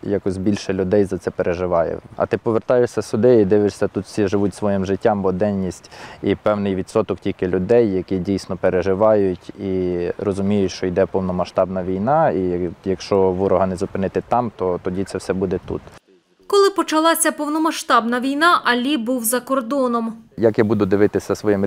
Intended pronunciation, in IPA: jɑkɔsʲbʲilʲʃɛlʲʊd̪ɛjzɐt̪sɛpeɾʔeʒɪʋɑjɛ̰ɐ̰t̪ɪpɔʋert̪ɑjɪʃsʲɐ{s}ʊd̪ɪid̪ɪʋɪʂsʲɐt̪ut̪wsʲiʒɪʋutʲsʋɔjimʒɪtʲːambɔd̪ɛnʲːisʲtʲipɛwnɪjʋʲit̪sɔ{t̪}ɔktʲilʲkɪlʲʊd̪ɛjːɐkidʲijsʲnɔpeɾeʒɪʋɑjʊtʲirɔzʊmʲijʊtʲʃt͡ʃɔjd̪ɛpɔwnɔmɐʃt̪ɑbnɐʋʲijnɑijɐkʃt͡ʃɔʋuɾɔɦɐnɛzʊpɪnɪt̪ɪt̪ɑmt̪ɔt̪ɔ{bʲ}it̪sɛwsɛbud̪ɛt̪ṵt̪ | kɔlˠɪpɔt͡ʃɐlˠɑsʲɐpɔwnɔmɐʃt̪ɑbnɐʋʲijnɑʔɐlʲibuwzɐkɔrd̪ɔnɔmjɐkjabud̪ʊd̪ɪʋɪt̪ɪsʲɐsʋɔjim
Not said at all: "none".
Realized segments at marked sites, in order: s, t̪, dʲ

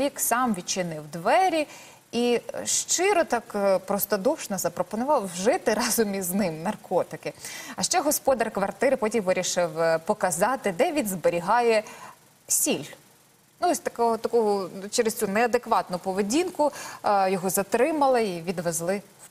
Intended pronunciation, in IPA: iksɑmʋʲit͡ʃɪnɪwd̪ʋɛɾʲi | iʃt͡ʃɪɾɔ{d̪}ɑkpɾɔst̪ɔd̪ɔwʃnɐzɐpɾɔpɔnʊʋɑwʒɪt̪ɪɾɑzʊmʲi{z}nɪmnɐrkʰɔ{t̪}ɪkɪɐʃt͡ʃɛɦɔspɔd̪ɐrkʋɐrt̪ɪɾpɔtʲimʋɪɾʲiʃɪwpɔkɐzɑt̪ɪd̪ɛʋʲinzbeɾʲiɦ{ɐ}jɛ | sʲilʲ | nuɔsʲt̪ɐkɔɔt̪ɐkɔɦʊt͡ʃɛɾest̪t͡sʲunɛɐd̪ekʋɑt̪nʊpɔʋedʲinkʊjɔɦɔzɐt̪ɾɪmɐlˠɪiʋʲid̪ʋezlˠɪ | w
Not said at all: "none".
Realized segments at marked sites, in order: t̪, z, t̪, ɑ

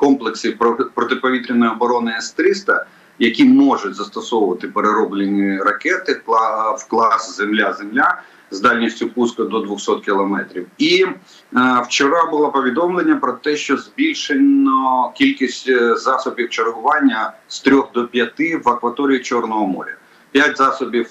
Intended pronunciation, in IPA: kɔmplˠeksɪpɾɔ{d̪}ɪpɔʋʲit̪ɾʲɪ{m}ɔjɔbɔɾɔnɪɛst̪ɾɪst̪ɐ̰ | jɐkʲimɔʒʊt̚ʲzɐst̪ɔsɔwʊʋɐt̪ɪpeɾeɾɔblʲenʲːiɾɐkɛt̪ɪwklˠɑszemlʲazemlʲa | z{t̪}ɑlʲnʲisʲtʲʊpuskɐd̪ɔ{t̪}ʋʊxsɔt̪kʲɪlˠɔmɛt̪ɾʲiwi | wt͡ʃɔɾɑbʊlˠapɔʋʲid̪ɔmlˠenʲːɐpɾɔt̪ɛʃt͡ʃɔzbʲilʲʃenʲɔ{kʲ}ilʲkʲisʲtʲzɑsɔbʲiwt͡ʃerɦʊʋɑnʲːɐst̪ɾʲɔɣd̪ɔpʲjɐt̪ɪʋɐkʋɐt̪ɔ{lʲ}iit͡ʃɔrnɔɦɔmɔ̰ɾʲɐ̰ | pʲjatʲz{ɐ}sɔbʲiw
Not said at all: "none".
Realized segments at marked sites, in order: t̪, n, d̪, d̪, kʲ, ɾʲ, ɑ

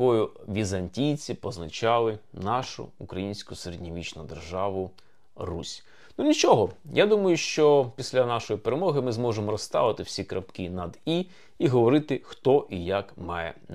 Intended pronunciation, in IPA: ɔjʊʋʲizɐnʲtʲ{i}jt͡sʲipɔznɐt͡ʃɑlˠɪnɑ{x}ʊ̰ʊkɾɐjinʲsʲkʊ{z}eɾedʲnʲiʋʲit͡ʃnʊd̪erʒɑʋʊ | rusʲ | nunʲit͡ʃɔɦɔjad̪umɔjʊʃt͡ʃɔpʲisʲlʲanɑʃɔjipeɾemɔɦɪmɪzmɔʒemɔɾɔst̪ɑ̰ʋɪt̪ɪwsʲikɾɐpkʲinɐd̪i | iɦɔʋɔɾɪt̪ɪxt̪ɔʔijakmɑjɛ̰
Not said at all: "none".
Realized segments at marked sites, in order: i, ʃ, s

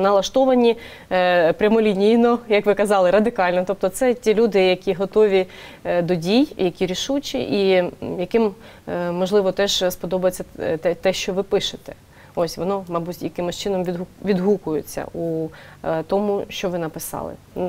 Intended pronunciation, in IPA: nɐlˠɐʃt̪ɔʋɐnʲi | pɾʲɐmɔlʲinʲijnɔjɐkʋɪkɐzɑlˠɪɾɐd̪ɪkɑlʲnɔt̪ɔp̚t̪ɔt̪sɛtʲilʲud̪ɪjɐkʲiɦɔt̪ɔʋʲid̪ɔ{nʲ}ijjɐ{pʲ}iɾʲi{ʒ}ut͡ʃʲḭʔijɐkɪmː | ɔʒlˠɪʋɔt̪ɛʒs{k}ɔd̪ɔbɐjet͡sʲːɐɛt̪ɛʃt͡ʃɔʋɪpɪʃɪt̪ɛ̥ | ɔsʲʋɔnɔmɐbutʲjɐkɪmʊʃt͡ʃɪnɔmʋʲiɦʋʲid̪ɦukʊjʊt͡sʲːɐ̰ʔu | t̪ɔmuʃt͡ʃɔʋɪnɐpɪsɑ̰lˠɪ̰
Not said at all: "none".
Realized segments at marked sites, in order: dʲ, kʲ, ʃ, p

